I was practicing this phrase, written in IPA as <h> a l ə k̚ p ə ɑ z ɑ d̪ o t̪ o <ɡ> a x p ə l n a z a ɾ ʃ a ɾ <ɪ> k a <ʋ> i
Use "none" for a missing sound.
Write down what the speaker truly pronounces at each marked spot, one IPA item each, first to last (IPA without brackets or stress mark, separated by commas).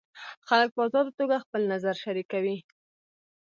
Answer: x, ɡ, i, w